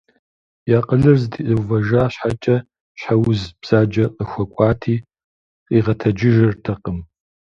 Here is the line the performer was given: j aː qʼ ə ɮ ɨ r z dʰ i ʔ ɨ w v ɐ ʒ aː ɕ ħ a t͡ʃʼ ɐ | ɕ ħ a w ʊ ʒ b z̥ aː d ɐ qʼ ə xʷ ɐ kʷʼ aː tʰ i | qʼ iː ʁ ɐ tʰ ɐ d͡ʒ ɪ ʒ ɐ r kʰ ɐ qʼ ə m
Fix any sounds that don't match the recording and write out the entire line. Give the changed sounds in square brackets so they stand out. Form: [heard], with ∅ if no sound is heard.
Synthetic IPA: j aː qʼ ə ɮ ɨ r z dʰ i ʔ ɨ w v ɐ ʒ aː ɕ ħ a t͡ʃʼ ɐ | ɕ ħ a w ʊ [z] b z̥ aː [d͡ʒ] ɐ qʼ ə xʷ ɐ kʷʼ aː tʰ [iː] | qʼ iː ʁ ɐ tʰ ɐ d͡ʒ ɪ ʒ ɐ r [tʰ] ɐ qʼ ə m